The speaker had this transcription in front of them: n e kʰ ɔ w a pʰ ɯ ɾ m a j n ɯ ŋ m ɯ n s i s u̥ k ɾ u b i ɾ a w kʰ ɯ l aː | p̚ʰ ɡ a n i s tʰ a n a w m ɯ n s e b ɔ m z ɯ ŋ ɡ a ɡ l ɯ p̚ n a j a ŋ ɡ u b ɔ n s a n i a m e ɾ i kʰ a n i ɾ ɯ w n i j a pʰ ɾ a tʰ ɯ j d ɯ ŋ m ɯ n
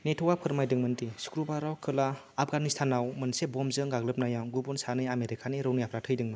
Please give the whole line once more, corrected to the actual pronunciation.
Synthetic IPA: n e tʰ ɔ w a pʰ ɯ ɾ m a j d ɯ ŋ m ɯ n t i s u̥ k ɾ u b a ɾ a w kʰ ɯ l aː | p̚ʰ ɡ a n i s tʰ a n a w m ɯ n s e b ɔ m z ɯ ŋ ɡ a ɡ l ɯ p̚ n a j a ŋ ɡ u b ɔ n s a n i a m e ɾ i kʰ a n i ɾ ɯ w n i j a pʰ ɾ a tʰ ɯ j d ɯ ŋ m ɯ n